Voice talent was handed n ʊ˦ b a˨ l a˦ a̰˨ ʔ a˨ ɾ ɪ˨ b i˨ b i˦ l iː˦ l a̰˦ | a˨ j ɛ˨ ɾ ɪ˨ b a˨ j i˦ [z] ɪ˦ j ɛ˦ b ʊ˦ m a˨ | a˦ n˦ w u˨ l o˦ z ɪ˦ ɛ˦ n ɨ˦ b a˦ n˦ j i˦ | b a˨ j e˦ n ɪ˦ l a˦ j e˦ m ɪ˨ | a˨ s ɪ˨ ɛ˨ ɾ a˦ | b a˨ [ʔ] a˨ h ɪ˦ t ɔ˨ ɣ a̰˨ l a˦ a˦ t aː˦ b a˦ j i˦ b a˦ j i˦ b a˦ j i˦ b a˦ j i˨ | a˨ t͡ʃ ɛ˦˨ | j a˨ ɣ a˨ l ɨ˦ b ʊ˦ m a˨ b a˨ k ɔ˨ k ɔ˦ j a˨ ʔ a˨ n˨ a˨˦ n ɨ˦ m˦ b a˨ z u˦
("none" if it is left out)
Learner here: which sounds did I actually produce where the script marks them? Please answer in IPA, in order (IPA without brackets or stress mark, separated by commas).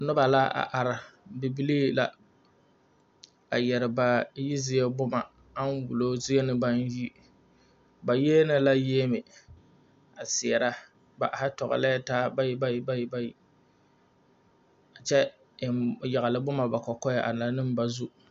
z, ʔ